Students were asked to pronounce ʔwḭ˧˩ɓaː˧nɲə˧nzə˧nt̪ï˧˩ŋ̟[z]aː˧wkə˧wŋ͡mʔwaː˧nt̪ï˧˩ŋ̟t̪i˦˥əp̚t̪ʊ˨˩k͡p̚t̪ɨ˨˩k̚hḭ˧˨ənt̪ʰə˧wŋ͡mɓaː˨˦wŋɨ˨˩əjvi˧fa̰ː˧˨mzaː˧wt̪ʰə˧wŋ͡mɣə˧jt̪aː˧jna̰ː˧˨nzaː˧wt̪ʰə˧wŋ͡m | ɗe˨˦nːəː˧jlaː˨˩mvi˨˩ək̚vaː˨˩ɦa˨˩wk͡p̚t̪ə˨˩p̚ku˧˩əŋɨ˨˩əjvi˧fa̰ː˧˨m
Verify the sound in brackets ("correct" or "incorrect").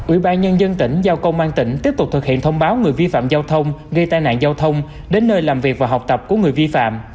correct